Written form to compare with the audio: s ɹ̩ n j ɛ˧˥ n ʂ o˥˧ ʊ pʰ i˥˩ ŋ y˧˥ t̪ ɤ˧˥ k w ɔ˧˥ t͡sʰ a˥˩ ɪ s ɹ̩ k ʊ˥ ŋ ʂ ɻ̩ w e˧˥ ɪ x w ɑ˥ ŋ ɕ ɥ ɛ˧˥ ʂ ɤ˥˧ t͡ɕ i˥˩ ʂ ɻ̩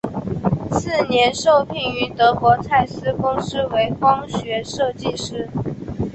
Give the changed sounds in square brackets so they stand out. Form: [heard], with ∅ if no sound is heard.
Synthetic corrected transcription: s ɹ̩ n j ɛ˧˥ n ʂ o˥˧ ʊ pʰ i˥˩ ŋ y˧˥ t̪ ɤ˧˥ k w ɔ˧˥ t͡sʰ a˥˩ ɪ s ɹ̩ k ʊ˥ ŋ ʂ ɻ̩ w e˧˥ ɪ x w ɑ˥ ŋ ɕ ɥ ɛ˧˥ ʂ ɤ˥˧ t͡ɕ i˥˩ ʂ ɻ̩